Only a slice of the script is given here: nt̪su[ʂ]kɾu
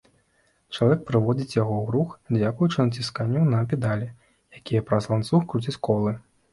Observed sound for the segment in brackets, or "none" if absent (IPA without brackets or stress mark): x